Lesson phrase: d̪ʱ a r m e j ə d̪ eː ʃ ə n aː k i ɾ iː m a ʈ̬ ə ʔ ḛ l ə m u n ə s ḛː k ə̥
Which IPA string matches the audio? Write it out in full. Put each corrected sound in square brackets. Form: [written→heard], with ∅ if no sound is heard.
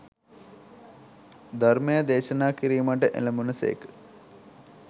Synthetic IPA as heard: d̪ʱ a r m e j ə d̪ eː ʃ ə n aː k i ɾ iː m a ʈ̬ ə ʔ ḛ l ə m u n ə s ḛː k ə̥